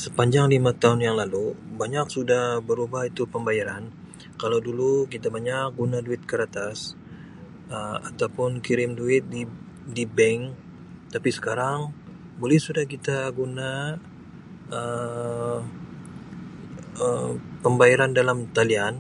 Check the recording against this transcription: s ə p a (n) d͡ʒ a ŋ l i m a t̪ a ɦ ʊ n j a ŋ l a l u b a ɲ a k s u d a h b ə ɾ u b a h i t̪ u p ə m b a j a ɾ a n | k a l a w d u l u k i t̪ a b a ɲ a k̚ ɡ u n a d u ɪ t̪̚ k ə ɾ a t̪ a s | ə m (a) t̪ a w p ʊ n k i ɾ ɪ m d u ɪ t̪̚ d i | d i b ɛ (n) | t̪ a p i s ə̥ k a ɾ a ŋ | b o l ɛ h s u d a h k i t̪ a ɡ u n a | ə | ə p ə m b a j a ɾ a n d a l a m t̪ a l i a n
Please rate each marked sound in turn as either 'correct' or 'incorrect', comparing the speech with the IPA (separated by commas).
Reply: incorrect, correct, incorrect